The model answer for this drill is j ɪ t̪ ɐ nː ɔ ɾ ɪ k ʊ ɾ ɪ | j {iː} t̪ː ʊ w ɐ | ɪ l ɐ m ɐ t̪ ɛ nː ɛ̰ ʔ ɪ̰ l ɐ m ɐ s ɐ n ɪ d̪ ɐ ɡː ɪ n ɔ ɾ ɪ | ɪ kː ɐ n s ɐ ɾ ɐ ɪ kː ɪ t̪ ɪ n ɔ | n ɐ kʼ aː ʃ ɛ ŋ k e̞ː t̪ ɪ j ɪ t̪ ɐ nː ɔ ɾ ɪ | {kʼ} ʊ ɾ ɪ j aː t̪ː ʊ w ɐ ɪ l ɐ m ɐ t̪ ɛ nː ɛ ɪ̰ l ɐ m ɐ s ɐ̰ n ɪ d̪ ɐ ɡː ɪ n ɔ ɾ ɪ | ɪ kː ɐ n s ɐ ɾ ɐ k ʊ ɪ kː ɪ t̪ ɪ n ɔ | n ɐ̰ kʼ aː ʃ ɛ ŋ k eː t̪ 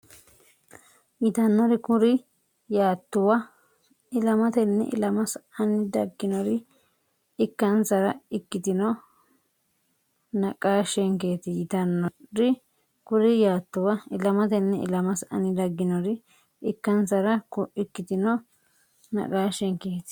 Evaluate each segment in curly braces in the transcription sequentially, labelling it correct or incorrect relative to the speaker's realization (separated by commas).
incorrect, incorrect